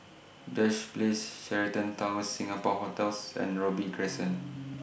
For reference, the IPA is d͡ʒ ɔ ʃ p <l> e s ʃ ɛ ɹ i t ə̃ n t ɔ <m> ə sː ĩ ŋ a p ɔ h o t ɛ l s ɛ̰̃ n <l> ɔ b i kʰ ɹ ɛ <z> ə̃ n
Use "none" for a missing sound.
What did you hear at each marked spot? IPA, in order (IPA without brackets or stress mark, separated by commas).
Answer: l, m, ɹ, s